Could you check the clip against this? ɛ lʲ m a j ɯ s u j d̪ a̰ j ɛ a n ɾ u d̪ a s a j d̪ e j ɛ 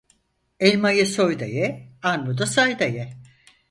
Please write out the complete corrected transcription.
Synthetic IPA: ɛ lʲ m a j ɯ s o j d̪ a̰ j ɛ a n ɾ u d̪ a s a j d̪ a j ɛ